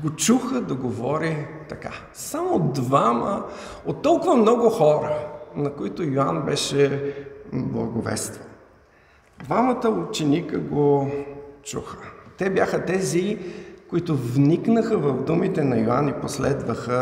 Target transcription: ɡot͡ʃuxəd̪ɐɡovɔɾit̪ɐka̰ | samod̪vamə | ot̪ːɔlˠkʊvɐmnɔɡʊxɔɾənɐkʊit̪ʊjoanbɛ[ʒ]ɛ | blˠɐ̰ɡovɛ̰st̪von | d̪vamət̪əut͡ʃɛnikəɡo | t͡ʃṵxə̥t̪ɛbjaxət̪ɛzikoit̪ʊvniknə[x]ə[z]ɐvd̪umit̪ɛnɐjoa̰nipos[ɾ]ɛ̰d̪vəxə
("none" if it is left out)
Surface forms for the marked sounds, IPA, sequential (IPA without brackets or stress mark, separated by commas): ʃ, x, v, l